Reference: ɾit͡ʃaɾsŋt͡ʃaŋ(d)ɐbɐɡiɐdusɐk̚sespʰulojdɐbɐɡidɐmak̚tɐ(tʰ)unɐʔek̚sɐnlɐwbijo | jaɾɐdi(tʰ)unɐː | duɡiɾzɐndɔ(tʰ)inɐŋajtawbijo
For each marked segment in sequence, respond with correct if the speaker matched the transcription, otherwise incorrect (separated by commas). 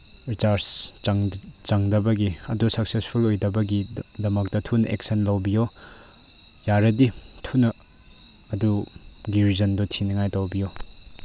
correct, correct, correct, correct